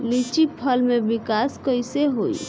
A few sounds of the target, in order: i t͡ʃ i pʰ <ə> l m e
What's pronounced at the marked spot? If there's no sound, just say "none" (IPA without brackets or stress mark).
ə